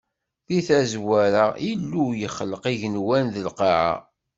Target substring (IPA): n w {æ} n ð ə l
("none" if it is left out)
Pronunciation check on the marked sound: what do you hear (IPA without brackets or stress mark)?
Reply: æ